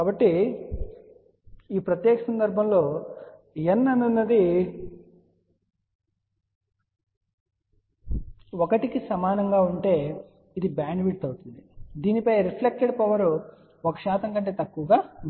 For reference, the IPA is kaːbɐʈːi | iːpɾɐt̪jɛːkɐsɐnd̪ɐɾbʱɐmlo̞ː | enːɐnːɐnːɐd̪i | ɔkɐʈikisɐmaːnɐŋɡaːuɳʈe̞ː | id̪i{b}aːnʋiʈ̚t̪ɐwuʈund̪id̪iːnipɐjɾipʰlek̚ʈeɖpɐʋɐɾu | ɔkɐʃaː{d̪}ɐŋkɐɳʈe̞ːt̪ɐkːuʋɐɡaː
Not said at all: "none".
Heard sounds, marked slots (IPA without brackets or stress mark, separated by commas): b, t̪